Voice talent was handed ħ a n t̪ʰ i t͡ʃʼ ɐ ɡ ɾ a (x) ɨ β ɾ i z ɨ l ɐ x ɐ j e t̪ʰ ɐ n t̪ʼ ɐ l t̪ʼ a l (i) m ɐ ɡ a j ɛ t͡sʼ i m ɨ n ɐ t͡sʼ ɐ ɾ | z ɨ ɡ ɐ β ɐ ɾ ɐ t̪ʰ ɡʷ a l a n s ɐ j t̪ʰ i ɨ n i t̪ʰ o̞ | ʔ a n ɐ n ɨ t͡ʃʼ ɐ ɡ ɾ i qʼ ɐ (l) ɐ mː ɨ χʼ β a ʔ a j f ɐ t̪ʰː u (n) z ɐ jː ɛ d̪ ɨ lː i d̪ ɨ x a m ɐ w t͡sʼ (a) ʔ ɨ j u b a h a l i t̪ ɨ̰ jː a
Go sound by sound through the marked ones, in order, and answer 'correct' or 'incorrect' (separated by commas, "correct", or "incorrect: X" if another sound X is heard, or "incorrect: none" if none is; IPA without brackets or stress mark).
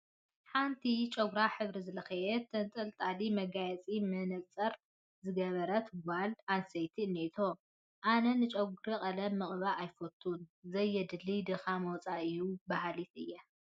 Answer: incorrect: ħ, correct, correct, correct, correct